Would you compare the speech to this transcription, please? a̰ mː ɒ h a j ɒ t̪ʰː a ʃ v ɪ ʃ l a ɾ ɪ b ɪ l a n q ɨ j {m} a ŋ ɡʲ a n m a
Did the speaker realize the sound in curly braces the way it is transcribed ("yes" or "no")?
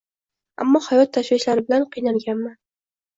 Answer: no